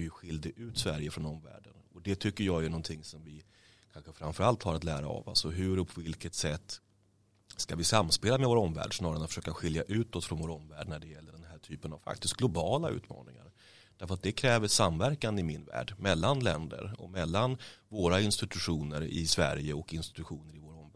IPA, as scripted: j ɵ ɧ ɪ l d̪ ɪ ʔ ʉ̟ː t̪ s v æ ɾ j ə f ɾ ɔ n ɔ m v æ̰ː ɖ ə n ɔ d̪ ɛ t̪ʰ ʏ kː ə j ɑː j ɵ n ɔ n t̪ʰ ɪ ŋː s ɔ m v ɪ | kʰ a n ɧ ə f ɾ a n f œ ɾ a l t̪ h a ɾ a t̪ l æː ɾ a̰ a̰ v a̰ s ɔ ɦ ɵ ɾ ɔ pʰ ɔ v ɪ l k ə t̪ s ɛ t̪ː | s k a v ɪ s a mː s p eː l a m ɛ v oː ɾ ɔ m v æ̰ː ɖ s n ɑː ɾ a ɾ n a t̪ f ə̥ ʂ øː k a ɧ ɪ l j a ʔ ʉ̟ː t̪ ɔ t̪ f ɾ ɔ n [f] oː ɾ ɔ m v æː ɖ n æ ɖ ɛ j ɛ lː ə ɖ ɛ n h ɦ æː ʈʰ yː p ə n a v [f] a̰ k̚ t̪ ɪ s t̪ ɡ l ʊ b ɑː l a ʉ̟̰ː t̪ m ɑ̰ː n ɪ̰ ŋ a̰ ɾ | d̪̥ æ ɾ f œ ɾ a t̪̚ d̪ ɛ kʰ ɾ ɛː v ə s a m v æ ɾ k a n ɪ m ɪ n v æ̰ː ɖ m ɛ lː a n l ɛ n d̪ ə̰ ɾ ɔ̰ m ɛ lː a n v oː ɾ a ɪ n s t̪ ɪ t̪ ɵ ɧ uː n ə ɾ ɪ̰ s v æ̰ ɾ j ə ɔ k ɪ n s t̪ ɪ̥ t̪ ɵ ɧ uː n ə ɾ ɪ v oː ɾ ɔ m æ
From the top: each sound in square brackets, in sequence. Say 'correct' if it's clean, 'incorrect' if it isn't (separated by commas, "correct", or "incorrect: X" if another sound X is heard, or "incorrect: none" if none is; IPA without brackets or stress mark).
incorrect: v, correct